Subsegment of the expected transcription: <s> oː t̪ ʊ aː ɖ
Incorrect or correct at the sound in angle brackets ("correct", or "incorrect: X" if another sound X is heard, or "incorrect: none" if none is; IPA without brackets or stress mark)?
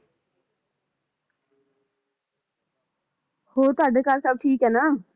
incorrect: h